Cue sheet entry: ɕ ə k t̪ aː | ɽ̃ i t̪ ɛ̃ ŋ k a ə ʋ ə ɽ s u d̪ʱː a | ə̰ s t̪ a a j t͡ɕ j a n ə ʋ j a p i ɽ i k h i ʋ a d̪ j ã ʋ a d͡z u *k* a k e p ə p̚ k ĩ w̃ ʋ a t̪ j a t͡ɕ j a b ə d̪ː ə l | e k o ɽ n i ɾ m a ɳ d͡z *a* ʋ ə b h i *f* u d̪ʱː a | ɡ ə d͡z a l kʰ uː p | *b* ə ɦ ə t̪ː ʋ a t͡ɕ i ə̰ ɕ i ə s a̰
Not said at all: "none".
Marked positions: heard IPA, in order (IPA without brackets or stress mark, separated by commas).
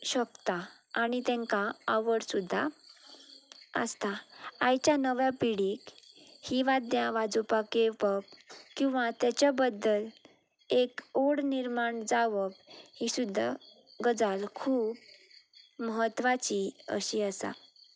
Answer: p, a, s, m